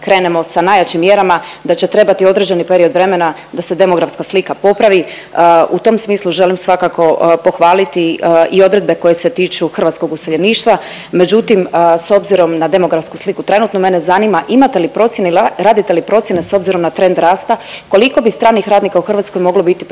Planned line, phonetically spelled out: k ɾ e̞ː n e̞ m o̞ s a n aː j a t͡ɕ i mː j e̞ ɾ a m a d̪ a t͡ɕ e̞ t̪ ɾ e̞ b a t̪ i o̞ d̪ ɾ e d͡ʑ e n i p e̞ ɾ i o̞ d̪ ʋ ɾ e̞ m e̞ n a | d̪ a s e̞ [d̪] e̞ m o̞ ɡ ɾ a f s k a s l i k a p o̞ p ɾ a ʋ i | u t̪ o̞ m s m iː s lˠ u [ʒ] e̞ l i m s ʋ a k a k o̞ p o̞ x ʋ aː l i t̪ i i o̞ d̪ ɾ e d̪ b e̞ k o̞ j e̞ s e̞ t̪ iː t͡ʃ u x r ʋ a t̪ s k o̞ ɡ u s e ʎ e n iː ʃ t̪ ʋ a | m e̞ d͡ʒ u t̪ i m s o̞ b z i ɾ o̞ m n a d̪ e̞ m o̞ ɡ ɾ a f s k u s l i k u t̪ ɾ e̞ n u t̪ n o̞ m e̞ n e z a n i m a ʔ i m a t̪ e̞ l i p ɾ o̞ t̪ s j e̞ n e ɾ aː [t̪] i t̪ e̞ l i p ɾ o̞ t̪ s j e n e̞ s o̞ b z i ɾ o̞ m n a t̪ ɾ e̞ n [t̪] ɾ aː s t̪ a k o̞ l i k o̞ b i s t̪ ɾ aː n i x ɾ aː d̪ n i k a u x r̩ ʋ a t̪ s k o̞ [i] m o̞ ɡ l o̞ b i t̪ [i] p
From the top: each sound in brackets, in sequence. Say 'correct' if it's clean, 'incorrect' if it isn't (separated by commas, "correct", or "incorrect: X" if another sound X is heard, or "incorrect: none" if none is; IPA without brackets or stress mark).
correct, correct, incorrect: d̪, incorrect: d̪, incorrect: j, correct